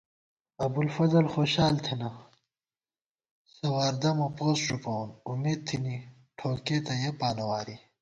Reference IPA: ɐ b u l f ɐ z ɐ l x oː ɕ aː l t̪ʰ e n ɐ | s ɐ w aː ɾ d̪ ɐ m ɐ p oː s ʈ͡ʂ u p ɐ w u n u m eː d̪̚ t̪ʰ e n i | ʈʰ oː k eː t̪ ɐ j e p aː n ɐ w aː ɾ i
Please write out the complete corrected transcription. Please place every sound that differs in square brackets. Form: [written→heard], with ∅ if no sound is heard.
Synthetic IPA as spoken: ɐ b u l f ɐ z ɐ l x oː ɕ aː l t̪ʰ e n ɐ | s ɐ w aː ɾ d̪ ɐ m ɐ p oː s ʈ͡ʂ u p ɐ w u n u m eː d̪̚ t̪ʰ [e→i] n i | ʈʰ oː k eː t̪ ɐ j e p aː n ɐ w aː ɾ i